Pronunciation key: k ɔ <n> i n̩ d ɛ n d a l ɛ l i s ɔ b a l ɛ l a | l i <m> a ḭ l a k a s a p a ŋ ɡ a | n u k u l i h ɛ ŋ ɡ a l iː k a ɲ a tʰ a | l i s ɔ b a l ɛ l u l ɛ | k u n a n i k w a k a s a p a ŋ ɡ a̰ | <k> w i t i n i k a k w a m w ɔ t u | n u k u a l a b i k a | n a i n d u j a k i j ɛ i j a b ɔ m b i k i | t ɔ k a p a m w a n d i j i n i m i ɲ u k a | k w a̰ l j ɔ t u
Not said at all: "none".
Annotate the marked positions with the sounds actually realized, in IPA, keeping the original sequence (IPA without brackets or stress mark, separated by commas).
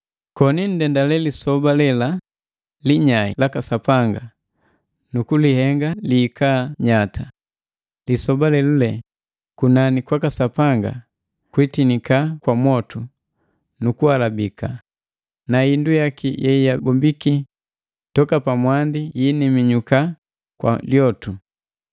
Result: n, ɲ, k